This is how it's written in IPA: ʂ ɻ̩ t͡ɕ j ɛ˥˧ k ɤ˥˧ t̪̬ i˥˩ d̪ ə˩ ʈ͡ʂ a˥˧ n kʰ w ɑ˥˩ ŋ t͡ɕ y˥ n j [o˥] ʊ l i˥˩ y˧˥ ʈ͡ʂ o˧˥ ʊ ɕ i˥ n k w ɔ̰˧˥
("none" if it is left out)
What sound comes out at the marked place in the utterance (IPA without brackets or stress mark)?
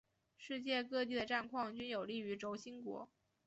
o˨˩